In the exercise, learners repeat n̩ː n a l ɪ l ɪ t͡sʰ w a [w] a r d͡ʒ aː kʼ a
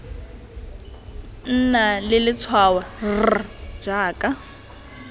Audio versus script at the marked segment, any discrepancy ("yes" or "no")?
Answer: no